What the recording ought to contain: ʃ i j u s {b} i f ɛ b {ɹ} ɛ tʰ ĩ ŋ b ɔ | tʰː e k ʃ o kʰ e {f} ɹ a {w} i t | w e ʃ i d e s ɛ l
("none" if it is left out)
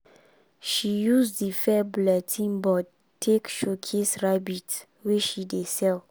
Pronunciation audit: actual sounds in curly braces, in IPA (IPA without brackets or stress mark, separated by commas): d, l, s, b